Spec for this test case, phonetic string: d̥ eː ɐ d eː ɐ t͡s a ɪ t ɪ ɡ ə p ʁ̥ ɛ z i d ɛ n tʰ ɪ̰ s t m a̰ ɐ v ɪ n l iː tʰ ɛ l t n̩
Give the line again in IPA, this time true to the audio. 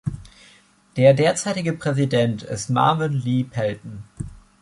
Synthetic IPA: d̥ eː ɐ d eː ɐ t͡s a ɪ t ɪ ɡ ə p ʁ̥ ɛ z i d ɛ n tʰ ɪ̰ s t m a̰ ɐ v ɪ n l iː pʰ ɛ l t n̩